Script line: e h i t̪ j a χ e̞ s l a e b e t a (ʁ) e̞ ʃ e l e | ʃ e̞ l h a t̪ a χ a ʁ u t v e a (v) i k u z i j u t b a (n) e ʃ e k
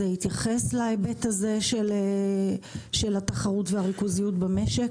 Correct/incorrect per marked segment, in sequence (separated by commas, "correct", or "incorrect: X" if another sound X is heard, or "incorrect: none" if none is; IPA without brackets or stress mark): incorrect: z, incorrect: ʁ, incorrect: m